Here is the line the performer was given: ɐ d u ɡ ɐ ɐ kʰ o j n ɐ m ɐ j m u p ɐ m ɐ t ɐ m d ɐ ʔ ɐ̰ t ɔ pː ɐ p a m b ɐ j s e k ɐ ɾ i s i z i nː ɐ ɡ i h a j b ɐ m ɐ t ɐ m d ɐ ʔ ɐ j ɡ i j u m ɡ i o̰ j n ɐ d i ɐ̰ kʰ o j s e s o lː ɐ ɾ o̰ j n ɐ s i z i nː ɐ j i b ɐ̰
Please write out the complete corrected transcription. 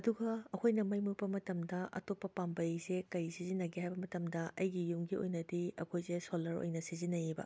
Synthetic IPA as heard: ɐ d u ɡ ɐ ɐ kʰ o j n ɐ m ɐ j m u p ɐ m ɐ t ɐ m d ɐ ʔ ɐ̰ t o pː ɐ p a m b ɐ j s e k ɐ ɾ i s i z i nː ɐ ɡ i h a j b ɐ m ɐ t ɐ m d ɐ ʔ ɐ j ɡ i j u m ɡ i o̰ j n ɐ d i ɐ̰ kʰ o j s e s o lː ɐ ɾ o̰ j n ɐ s i z i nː ɐ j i b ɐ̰